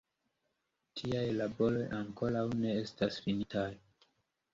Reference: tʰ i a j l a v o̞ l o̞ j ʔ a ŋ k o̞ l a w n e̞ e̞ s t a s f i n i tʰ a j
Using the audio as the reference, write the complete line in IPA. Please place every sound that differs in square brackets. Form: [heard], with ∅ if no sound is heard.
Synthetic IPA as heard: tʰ i a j l a [b] o̞ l o̞ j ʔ a ŋ k o̞ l a w n e̞ e̞ s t a s f i n i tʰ a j